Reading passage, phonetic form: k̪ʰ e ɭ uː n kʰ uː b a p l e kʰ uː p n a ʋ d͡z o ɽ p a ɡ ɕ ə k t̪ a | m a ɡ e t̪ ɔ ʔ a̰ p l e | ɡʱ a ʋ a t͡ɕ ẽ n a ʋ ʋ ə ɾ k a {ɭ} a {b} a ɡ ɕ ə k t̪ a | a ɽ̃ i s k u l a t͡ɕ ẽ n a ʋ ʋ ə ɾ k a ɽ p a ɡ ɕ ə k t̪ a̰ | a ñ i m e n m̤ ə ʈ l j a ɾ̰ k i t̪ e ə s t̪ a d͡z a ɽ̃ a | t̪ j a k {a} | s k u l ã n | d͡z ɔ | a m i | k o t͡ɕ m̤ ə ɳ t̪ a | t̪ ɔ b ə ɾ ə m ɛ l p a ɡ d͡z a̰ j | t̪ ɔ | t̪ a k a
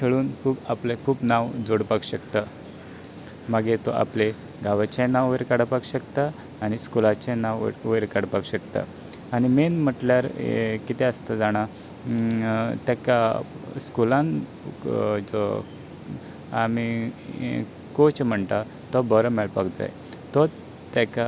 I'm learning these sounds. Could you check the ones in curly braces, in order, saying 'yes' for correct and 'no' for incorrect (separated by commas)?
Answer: no, no, yes